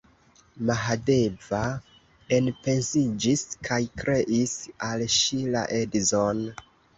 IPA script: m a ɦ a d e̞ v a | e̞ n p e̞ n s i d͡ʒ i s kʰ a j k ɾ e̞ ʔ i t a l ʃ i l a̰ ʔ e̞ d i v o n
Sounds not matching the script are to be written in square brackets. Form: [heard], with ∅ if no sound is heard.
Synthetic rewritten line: m a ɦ a d e̞ v a | e̞ n p e̞ n s i d͡ʒ i s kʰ a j k ɾ e̞ ʔ i [s] a l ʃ i l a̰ ʔ e̞ d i [z] o n